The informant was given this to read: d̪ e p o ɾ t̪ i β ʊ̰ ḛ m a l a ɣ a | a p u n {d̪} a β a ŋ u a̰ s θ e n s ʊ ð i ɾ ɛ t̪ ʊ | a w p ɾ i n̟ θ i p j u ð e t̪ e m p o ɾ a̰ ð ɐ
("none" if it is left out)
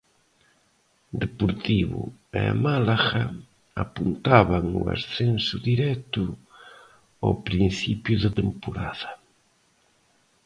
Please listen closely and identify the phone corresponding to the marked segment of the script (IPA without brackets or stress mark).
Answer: t̪